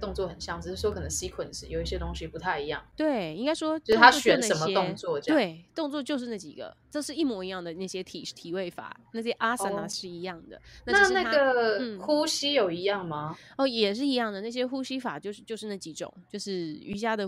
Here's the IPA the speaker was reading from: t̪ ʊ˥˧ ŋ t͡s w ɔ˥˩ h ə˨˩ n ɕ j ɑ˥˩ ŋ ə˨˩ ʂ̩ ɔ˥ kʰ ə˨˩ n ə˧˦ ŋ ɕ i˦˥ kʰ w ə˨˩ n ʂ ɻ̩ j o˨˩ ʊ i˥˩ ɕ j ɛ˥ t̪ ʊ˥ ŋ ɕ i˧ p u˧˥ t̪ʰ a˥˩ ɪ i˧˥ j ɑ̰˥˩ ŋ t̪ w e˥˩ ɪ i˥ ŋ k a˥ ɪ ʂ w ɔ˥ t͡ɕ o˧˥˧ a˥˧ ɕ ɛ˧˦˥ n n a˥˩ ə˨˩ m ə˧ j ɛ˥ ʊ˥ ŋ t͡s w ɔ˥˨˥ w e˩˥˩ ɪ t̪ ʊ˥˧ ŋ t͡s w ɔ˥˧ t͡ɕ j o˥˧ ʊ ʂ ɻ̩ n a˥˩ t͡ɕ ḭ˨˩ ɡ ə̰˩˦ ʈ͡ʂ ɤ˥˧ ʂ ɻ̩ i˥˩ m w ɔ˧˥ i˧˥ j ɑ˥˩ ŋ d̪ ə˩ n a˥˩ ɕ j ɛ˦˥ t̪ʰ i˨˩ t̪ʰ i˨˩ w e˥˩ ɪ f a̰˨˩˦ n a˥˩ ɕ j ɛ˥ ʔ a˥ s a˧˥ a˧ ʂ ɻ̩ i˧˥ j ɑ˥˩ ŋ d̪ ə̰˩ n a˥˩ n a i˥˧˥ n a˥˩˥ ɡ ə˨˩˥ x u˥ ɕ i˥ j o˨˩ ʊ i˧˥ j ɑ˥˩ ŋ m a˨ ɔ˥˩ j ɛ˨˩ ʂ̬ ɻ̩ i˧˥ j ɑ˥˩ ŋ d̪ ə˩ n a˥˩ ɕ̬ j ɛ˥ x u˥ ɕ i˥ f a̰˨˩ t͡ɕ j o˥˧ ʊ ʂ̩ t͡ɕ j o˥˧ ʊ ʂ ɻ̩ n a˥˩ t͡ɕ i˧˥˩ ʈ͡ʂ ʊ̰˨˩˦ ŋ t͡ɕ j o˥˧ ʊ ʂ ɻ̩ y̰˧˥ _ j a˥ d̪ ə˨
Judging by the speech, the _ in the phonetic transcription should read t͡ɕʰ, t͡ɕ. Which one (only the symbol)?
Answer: t͡ɕ